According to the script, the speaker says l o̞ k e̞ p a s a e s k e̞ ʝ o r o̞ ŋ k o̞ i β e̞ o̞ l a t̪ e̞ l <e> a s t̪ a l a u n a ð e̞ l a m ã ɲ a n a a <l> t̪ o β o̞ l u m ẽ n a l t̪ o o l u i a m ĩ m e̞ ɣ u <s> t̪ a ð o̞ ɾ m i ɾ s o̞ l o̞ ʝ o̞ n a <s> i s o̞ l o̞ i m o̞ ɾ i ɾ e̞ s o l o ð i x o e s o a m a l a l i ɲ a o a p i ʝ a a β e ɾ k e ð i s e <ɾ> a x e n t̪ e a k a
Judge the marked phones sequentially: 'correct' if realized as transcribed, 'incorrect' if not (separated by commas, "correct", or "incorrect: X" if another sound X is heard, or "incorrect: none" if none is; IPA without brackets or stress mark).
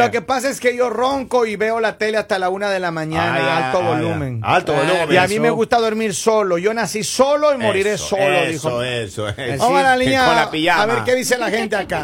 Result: correct, correct, correct, correct, incorrect: l